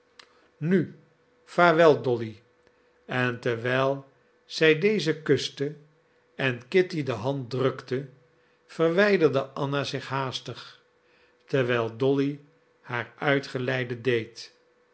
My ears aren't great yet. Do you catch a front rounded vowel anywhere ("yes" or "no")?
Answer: yes